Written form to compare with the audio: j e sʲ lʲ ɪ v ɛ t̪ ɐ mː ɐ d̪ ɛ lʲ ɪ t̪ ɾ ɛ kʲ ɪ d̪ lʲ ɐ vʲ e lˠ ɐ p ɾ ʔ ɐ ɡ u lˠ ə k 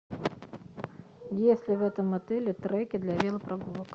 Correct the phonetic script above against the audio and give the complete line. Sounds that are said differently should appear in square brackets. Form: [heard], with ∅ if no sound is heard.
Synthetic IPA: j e sʲ lʲ ɪ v ɛ t̪ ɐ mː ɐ [t̪] ɛ lʲ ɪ t̪ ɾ ɛ kʲ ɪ d̪ lʲ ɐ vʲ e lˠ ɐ p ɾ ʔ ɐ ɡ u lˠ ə k

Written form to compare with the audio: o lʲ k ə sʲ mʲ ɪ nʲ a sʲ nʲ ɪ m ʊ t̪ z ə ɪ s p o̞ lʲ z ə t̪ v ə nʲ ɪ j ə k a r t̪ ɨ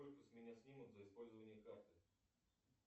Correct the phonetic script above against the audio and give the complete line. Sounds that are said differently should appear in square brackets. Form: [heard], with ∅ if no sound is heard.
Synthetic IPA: o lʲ k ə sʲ mʲ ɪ nʲ a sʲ nʲ [i] m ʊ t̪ z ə ɪ s p o̞ lʲ z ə [∅] v ə nʲ ɪ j ə k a r t̪ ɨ

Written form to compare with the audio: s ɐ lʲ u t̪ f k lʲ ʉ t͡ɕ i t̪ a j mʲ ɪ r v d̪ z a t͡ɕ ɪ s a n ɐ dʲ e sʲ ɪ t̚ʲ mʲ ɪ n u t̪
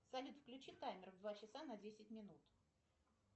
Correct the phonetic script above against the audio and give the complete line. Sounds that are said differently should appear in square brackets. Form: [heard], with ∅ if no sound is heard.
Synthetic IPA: s ɐ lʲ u t̪ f k lʲ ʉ t͡ɕ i t̪ a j mʲ ɪ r v d̪ [v] a t͡ɕ ɪ s a n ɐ dʲ e sʲ ɪ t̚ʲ mʲ ɪ n u t̪

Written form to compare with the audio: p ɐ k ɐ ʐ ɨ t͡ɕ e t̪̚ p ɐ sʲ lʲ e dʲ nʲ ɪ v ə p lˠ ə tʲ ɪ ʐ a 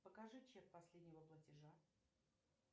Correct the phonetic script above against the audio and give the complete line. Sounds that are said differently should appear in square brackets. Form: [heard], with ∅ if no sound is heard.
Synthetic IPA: p [ə] k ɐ ʐ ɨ t͡ɕ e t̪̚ p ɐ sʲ lʲ e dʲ nʲ ɪ v ə p lˠ ə tʲ ɪ ʐ a

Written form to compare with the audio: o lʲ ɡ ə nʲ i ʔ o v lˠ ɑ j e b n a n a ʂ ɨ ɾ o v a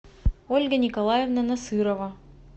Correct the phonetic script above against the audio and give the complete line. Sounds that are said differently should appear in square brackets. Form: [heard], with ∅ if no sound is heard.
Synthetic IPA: o lʲ ɡ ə nʲ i [k] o [∅] lˠ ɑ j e [v] n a n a [s] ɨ ɾ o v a

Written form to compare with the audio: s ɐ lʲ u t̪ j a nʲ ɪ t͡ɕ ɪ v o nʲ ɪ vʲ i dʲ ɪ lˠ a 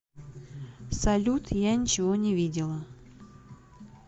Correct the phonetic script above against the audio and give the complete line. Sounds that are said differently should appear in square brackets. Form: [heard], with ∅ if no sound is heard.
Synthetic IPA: s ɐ lʲ u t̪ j a nʲ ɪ t͡ɕ ɪ v o nʲ ɪ vʲ i dʲ ɪ lˠ [ə]

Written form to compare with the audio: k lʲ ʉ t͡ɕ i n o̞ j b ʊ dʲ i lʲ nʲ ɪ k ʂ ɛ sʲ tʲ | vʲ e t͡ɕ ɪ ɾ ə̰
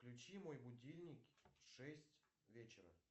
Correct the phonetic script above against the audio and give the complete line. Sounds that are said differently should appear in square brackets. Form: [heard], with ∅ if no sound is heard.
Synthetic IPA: k lʲ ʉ t͡ɕ i [m] o̞ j b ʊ dʲ i lʲ nʲ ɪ k ʂ ɛ sʲ tʲ | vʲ e t͡ɕ ɪ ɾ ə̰

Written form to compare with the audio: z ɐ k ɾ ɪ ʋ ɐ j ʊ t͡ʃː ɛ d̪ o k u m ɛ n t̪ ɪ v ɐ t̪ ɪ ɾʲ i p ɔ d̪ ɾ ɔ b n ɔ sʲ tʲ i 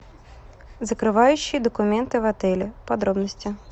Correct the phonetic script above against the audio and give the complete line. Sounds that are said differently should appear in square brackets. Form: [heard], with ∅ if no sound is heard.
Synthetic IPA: z ɐ k ɾ ɪ ʋ [ɑ] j ʊ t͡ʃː [i] d̪ [ɔ] k [ʊ] m ɛ n t̪ ɪ [ʋ] ɐ t̪ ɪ [lʲ] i p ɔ d̪ ɾ ɔ b n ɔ sʲ tʲ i

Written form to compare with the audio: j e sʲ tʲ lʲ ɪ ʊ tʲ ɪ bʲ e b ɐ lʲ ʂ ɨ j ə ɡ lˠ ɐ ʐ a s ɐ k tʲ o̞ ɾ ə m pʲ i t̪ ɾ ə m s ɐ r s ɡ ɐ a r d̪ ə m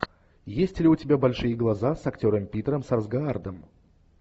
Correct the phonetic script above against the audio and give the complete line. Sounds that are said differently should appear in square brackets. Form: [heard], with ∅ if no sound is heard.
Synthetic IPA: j e sʲ tʲ lʲ ɪ ʊ tʲ ɪ bʲ [a] b ɐ lʲ ʂ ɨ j ə ɡ lˠ ɐ [z] a s ɐ k tʲ o̞ ɾ ə m pʲ i t̪ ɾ ə m s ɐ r [z] ɡ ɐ a r d̪ ə m

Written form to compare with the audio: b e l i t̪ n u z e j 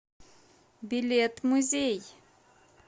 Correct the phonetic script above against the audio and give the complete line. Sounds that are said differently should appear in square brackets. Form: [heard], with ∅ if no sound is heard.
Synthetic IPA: b [i] l [e] t̪ [m] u z e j

